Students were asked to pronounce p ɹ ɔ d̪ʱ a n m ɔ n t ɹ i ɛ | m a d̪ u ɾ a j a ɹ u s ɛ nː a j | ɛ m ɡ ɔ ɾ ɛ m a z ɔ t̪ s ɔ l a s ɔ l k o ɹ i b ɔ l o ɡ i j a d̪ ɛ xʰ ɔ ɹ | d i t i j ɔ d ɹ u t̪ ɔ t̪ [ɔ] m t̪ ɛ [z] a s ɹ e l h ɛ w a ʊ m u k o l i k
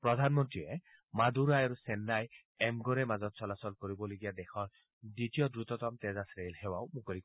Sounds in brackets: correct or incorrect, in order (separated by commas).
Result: correct, correct